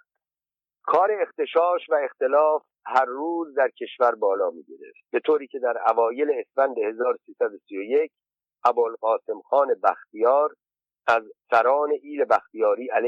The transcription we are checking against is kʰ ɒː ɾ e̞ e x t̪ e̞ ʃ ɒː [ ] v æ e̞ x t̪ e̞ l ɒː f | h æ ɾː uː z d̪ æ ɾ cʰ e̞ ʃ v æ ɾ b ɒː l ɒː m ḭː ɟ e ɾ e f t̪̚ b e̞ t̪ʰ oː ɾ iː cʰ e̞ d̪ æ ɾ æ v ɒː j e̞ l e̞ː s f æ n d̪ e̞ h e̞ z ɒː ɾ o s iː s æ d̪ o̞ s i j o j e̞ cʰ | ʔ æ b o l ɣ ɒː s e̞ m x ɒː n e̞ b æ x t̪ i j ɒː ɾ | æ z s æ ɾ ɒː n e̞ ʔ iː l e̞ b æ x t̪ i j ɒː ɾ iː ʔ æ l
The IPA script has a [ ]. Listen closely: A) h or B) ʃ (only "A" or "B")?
B